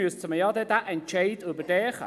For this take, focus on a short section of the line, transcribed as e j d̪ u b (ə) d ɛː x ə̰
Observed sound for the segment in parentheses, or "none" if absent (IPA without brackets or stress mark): ə